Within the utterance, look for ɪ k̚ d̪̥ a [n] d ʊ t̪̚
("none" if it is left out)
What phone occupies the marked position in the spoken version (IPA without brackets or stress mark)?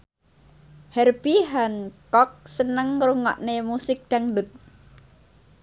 ŋ